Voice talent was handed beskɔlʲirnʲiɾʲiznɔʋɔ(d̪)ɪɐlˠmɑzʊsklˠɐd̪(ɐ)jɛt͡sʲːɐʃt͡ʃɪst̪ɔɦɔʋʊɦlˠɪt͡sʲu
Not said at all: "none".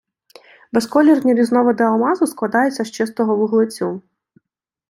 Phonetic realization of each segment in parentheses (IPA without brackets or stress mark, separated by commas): d̪, ɑ